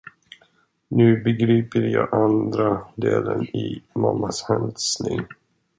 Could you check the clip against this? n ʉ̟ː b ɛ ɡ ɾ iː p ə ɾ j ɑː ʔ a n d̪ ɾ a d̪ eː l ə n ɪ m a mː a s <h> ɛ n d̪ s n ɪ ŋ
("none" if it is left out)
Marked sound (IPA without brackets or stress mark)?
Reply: h